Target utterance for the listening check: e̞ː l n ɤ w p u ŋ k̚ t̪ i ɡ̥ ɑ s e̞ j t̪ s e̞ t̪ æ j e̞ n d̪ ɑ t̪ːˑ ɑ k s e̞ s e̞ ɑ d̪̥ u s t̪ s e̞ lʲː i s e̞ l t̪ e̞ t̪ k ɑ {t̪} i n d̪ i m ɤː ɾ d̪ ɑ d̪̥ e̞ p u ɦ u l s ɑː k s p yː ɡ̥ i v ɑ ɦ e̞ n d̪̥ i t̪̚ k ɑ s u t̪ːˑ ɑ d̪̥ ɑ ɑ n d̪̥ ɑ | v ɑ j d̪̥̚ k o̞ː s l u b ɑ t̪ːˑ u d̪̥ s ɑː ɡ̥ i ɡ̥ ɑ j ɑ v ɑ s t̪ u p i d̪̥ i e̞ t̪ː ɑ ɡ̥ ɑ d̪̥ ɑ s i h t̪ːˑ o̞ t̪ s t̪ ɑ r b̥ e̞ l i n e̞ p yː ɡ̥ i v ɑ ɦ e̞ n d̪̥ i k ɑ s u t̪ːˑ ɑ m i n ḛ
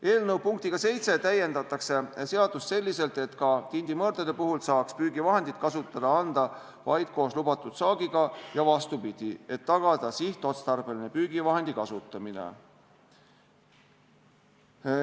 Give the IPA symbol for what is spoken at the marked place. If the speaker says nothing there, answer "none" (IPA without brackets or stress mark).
t̪